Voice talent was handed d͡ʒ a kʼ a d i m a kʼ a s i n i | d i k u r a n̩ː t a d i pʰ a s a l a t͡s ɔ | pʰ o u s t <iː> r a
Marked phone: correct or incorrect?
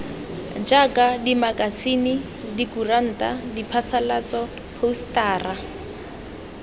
incorrect